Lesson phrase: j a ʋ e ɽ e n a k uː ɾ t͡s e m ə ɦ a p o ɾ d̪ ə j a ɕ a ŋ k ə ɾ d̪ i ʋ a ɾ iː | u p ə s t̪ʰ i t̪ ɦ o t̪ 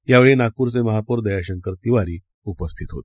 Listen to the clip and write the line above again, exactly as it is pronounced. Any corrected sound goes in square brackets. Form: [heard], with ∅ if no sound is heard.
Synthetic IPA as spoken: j a ʋ e [ɭ] e n a k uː ɾ t͡s e m ə ɦ a p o ɾ d̪ ə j a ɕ [ə] ŋ k ə ɾ [t̪] i ʋ a ɾ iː | u p ə s t̪ʰ i t̪ ɦ o t̪